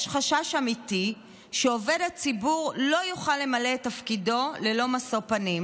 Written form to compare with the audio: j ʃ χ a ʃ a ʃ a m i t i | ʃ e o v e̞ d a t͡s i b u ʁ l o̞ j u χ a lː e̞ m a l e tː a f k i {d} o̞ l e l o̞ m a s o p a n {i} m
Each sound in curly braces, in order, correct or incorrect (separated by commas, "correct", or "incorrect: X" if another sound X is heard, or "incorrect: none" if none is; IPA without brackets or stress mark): correct, correct